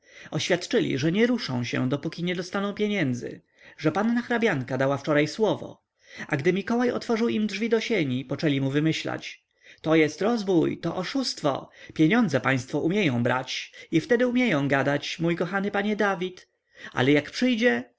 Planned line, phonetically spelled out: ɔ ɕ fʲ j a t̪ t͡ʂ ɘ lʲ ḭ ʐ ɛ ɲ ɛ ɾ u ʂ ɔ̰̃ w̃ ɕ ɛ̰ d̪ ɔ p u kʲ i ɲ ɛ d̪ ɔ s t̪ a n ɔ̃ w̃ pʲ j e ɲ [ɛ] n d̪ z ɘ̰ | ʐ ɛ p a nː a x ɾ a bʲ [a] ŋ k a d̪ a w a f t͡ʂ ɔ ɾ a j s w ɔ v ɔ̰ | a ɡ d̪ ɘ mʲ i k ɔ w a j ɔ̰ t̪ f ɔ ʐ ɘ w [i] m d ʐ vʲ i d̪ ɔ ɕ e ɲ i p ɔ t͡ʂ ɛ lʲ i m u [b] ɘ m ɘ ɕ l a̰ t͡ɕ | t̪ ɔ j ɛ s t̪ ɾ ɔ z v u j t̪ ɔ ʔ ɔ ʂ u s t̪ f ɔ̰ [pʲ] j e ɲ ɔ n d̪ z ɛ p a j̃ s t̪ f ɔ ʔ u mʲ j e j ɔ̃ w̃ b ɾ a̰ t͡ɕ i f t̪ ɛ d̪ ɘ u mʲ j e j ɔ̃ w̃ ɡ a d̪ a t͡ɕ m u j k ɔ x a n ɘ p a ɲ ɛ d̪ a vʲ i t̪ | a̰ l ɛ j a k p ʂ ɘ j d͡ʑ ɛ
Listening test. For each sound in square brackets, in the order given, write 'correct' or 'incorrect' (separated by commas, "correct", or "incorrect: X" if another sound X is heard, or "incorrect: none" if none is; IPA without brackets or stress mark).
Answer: correct, correct, correct, incorrect: v, correct